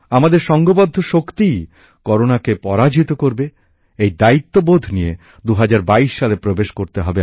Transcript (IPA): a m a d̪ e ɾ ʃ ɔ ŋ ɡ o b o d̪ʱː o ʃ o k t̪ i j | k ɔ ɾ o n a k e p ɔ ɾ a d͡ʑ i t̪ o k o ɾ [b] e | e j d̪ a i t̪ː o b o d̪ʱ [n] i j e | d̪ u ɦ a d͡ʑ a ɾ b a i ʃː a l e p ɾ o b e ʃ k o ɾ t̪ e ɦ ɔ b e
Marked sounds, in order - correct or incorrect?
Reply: correct, correct

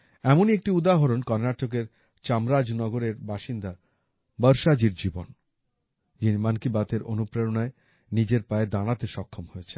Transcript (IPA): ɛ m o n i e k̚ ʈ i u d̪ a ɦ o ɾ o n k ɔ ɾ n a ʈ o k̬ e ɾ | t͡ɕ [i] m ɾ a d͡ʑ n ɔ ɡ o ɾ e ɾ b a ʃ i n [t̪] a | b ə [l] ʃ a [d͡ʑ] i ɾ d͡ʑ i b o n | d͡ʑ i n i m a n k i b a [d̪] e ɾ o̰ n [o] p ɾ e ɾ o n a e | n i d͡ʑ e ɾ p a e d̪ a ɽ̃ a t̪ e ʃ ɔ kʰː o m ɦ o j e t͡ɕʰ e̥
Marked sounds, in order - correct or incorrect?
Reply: incorrect: a, incorrect: d̪, incorrect: ɾ, correct, incorrect: t̪, incorrect: u

